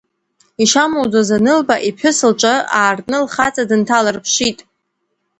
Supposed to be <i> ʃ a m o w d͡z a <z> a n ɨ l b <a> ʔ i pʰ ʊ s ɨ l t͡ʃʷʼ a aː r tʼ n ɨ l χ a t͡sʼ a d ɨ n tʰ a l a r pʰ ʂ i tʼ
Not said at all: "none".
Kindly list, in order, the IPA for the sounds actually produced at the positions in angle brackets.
i, z, a

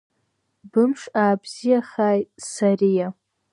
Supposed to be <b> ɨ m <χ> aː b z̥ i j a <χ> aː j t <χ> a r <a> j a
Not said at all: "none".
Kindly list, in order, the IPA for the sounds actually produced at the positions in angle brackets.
b, ʂ, χ, s, i

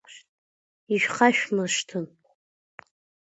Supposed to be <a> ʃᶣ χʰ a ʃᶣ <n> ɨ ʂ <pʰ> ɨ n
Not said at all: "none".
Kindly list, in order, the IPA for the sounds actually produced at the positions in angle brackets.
i, m, tʰ

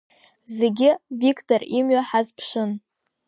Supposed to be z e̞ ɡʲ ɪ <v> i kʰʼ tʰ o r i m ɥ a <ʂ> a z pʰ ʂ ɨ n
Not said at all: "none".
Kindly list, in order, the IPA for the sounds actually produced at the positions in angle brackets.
v, ħ

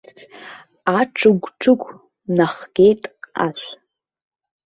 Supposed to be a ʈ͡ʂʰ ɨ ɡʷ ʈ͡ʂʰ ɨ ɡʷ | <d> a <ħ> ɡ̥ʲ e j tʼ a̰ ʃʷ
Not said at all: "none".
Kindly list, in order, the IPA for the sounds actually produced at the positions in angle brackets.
n, χ

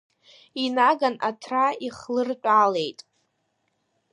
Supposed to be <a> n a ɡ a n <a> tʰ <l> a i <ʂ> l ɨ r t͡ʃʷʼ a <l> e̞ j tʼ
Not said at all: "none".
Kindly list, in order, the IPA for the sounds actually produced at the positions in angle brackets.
i, a, r, χ, l

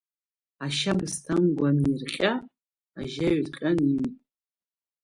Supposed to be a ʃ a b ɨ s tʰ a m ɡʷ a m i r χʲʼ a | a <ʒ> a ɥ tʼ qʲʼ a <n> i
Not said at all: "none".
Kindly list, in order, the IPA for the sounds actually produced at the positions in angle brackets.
ʒ, n

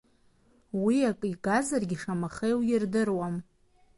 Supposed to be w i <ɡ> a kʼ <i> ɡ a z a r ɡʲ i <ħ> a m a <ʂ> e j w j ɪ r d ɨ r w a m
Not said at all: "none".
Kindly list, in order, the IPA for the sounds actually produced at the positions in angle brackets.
none, i, ʂ, χ

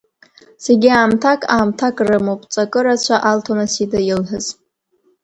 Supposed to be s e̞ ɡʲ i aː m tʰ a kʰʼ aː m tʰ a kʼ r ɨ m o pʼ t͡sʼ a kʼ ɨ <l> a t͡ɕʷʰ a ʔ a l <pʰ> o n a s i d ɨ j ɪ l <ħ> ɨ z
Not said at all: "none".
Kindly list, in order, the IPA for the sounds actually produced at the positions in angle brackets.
ɾ, tʰ, ħ

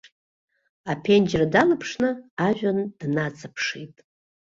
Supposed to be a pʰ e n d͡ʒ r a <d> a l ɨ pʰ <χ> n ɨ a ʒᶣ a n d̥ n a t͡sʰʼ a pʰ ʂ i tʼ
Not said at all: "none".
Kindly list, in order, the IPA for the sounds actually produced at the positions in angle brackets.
d, ʂ

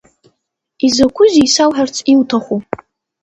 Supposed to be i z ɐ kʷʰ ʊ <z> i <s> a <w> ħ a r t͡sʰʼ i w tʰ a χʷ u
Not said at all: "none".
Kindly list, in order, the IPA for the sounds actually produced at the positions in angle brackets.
z, s, w

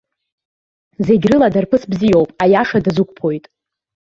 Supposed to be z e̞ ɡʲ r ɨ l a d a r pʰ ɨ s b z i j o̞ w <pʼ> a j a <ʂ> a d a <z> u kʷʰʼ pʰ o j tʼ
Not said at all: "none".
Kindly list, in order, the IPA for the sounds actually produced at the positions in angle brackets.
pʼ, ʂ, z

